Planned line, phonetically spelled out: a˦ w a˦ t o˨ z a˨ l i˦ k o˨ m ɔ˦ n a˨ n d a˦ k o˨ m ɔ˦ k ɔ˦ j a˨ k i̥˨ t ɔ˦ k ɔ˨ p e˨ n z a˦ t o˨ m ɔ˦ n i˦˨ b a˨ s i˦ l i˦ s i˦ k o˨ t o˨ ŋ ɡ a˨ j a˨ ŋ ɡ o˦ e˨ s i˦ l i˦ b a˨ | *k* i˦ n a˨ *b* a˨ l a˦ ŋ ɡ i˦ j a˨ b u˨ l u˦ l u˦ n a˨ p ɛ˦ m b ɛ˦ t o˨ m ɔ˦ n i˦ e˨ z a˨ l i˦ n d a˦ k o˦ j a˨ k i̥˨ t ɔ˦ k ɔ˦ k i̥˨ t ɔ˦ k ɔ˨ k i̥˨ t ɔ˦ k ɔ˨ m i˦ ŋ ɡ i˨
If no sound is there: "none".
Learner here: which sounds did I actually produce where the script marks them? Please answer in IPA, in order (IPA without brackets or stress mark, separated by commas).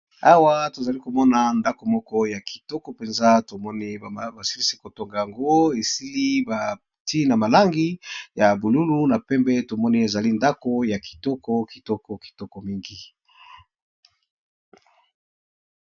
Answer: t, m